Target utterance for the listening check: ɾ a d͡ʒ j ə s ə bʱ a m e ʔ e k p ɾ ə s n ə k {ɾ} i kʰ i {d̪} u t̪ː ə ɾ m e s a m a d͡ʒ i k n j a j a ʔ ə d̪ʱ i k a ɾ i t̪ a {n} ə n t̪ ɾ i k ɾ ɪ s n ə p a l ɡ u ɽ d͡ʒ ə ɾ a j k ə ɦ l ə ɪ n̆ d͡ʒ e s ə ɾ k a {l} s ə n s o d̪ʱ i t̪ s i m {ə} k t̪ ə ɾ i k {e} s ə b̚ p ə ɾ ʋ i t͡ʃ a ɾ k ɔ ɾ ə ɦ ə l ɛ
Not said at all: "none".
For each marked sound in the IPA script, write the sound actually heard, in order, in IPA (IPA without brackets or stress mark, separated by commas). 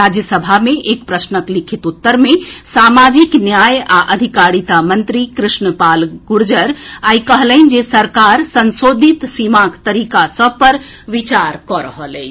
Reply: l, t̪, m, ɾ, a, a